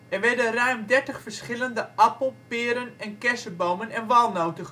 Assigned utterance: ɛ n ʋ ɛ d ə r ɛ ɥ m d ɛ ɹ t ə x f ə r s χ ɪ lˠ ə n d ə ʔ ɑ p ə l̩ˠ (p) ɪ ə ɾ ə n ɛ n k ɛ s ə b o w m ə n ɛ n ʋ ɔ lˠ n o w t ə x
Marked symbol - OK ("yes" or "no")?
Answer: yes